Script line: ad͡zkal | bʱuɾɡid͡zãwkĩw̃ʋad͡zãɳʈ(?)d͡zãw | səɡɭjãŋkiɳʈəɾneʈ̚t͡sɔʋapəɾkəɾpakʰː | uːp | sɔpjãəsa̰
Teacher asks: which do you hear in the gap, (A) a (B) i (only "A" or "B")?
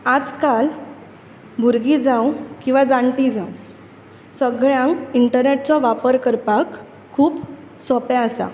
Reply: B